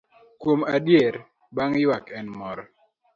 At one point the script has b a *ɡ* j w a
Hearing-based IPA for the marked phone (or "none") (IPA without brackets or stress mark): ŋ